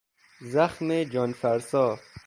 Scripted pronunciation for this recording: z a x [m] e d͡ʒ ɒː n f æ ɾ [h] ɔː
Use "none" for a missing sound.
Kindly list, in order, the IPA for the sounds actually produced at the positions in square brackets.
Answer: m, s

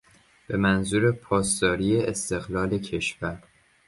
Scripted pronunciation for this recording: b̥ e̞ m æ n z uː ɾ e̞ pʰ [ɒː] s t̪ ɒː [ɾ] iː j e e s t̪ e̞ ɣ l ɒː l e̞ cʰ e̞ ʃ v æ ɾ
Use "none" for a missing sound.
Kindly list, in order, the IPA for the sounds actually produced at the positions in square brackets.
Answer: ɒː, ɾ

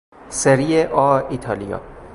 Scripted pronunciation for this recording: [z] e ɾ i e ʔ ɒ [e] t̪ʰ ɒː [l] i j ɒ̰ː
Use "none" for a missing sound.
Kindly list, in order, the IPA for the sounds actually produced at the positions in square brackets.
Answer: s, i, l

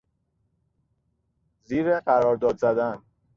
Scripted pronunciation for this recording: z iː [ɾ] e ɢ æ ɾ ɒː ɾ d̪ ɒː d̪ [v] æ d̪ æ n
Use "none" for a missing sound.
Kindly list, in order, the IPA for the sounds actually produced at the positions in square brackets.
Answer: ɾ, z

